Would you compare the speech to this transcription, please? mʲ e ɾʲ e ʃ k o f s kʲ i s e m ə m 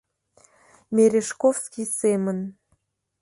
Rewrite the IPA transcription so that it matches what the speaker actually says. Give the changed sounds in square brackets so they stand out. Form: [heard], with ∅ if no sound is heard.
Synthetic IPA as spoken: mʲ e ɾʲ e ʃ k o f s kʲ i s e m ə [n]